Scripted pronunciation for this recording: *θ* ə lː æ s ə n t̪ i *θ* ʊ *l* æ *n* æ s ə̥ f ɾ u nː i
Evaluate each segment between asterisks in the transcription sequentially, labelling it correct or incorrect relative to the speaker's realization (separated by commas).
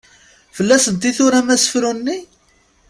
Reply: incorrect, correct, incorrect, incorrect